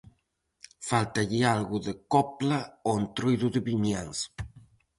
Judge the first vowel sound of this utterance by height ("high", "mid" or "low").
low